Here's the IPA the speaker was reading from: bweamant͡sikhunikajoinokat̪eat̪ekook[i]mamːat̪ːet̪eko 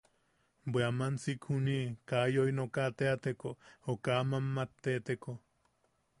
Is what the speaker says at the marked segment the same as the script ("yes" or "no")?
no